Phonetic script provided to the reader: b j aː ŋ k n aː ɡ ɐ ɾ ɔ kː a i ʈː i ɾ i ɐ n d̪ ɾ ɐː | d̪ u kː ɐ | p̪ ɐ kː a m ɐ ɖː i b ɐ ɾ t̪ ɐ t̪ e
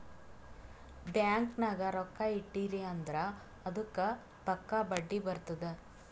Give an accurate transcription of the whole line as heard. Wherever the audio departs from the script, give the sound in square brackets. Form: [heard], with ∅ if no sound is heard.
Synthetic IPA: b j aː ŋ k n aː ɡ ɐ ɾ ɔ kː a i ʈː i ɾ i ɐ n d̪ ɾ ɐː | d̪ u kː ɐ | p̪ ɐ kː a [b] ɐ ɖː i b ɐ ɾ t̪ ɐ [d̪] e